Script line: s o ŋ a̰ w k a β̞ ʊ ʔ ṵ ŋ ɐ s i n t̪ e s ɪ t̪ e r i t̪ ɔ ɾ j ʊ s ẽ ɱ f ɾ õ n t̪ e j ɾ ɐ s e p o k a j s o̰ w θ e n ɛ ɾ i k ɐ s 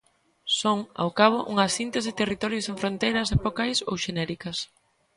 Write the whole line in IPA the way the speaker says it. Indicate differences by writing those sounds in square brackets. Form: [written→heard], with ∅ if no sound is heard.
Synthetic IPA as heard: s o ŋ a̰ w k a β̞ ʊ ʔ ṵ ŋ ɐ s i n t̪ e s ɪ t̪ e r i t̪ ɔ ɾ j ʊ s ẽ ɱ f ɾ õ n t̪ e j ɾ ɐ s e p o k a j s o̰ w [θ→ʃ] e n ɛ ɾ i k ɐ s

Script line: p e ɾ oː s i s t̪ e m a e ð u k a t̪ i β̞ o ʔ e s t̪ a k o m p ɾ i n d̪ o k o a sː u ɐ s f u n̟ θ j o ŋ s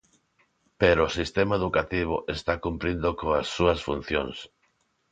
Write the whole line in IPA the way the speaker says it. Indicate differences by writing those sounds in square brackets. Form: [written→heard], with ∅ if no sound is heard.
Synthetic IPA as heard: p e ɾ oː s i s t̪ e m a e ð u k a t̪ i β̞ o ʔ e s t̪ a k [o→u] m p ɾ i n d̪ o k o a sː u ɐ s f u n̟ θ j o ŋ s

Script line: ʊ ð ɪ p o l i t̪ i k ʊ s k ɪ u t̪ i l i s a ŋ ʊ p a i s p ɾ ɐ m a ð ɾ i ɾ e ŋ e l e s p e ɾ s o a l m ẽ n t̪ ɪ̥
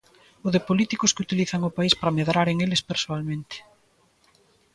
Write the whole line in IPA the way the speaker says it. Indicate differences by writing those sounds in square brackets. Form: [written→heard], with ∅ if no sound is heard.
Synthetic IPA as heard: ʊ ð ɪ p o l i t̪ i k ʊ s k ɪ u t̪ i l i [s→θ] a ŋ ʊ p a i s p ɾ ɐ m [a→e] ð ɾ [i→a] ɾ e ŋ e l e s p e ɾ s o a l m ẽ n t̪ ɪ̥

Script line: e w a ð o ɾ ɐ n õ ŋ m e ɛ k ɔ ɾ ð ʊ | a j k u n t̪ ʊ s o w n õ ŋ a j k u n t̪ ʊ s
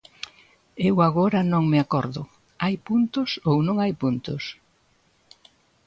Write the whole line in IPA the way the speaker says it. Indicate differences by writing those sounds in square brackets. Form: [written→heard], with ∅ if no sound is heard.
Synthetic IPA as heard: e w a [ð→ɣ] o ɾ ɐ n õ ŋ m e [ɛ→a] k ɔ ɾ ð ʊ | a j [k→p] u n t̪ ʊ s o w n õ ŋ a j [k→p] u n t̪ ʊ s

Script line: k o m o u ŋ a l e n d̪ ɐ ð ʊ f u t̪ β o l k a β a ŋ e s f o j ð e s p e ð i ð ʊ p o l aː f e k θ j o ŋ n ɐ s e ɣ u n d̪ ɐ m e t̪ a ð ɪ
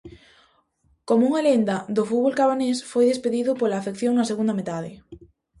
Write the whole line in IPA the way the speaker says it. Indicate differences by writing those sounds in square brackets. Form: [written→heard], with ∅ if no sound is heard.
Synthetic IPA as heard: k o m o u ŋ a l e n d̪ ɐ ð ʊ f u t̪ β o l k a β a [ŋ→n] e s f o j ð e s p e ð i ð ʊ p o l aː f e k θ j o ŋ n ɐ s e ɣ u n d̪ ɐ m e t̪ a ð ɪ

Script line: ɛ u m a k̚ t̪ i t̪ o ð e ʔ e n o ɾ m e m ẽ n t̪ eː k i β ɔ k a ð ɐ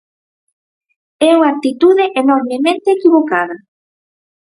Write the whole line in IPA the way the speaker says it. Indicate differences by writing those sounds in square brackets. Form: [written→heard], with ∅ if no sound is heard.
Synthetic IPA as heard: ɛ u [m→ŋ] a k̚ t̪ i t̪ [o→u] ð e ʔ e n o ɾ m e m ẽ n t̪ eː k i β [ɔ→o] k a ð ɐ

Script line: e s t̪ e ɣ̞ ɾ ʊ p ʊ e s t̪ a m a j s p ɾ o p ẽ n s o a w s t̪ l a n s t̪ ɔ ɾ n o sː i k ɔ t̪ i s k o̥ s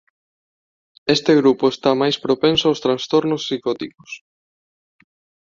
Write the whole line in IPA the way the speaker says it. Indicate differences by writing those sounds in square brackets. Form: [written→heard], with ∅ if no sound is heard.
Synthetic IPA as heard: e s t̪ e ɣ̞ ɾ [ʊ→u] p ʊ e s t̪ a m a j s p ɾ o p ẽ n s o a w s t̪ [l→ɾ] a n s t̪ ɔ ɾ n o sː i k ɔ t̪ i [s→∅] k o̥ s

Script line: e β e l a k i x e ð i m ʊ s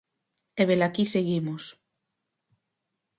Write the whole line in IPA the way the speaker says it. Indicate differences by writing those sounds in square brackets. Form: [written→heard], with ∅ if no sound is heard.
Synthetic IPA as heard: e β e l a k i [x→s] e [ð→ɣ] i m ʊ s

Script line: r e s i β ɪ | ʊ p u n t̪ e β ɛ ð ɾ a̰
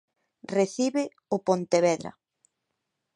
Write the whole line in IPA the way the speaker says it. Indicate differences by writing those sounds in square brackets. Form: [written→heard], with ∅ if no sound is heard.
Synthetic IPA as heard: r e [s→θ] i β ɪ | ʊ p [u→o] n t̪ e β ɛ ð ɾ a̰

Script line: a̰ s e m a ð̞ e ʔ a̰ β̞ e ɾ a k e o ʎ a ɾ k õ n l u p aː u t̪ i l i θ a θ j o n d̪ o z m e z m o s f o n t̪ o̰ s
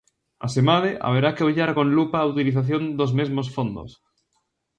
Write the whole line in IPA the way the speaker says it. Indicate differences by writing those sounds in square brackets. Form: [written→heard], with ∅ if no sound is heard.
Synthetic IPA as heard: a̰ s e m a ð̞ e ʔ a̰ β̞ e ɾ a k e o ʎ a ɾ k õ n l u p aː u t̪ i l i θ a θ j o n d̪ o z m e z m o s f o n [t̪→d̪] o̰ s

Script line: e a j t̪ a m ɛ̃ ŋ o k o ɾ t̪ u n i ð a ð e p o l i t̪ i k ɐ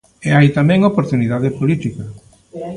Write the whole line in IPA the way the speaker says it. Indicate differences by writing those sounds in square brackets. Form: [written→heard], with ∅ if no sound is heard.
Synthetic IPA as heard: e a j t̪ a m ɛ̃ ŋ o [k→p] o ɾ t̪ u n i ð a ð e p o l i t̪ i k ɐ

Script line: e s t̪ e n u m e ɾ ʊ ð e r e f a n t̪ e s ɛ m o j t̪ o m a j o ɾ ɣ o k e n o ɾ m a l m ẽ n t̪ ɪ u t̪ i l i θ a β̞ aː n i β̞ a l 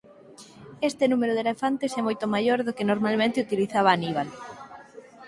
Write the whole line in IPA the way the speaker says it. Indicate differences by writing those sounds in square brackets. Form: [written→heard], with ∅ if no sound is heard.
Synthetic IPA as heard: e s t̪ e n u m e ɾ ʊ ð e [r→l] e f a n t̪ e s ɛ m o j t̪ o m a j o ɾ [ɣ→ð] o k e n o ɾ m a l m ẽ n t̪ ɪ u t̪ i l i θ a β̞ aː n i β̞ a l

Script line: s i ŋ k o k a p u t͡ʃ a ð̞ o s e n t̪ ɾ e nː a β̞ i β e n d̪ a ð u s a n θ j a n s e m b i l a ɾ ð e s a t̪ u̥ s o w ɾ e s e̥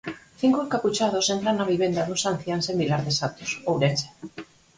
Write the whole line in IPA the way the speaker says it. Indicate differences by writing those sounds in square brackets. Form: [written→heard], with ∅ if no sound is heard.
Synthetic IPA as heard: [s→θ] i ŋ k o k a p u t͡ʃ a ð̞ o s e n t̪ ɾ [e→a] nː a β̞ i β e n d̪ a ð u s a n θ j a n s e m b i l a ɾ ð e s a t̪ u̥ s o w ɾ e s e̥

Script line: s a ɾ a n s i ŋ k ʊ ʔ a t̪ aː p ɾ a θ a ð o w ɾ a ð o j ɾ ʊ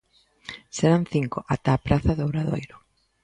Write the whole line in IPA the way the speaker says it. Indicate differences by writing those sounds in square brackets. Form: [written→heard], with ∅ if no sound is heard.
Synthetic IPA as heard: s [a→e] ɾ a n [s→θ] i ŋ k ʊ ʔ a t̪ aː p ɾ a θ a ð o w ɾ a ð o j ɾ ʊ

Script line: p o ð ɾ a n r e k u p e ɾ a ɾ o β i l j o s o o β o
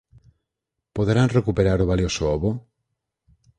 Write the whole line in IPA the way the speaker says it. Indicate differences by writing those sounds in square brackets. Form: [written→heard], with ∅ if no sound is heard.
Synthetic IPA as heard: p o ð ɾ a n r e k u p e ɾ a ɾ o β [i→a] l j o s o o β o

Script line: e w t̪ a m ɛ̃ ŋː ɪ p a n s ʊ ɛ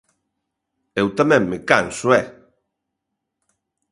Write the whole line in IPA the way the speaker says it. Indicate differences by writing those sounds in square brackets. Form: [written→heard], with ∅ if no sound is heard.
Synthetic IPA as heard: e w t̪ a m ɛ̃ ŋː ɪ [p→k] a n s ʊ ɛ

